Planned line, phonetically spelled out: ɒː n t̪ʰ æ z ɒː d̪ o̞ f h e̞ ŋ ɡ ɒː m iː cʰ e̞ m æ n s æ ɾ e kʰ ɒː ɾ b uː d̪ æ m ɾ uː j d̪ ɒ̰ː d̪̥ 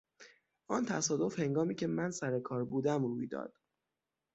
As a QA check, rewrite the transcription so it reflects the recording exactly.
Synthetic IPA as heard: ɒː n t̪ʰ æ s ɒː d̪ o̞ f h e̞ ŋ ɡ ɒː m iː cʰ e̞ m æ n s æ ɾ e kʰ ɒː ɾ b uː d̪ æ m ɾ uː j d̪ ɒ̰ː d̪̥